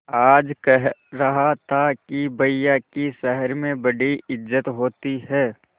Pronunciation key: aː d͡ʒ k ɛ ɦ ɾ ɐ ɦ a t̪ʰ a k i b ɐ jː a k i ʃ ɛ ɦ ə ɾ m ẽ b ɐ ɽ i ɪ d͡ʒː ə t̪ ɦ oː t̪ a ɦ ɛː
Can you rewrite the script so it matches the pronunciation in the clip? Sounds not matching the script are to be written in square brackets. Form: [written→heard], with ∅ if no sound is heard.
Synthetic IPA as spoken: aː d͡ʒ k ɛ ɦ ɾ ɐ ɦ a t̪ʰ a k i b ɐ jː a k i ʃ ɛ ɦ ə ɾ m ẽ b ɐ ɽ i ɪ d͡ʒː ə t̪ ɦ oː t̪ [a→i] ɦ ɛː